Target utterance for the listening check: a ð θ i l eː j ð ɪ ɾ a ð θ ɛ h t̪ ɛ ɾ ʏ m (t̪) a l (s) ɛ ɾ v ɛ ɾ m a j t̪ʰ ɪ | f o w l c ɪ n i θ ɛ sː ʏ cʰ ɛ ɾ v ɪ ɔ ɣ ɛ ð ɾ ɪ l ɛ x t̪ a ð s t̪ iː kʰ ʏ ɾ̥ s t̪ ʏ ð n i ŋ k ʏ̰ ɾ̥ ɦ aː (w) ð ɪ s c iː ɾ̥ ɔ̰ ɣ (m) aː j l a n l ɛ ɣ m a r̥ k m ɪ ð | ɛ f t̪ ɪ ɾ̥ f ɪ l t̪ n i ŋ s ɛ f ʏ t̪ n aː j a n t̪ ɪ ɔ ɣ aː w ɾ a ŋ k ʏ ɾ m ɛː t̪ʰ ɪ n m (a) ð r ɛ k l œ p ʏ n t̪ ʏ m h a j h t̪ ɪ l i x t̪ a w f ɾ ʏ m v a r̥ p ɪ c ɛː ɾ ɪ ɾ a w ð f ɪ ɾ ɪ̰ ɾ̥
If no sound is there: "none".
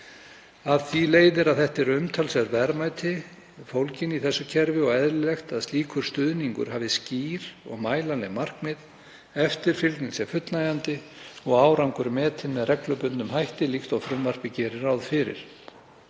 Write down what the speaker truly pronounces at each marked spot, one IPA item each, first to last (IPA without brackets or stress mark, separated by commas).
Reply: t̪ʰ, s, v, m, ɛ